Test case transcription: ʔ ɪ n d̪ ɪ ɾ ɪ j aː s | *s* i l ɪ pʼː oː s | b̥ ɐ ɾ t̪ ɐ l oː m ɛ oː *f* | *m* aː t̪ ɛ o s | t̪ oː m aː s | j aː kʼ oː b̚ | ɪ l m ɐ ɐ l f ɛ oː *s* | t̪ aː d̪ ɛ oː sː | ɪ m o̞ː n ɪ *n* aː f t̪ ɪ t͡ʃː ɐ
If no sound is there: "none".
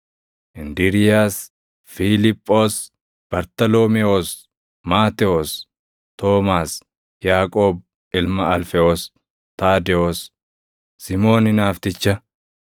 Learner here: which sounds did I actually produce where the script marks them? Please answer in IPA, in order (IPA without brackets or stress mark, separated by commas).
f, s, m, s, n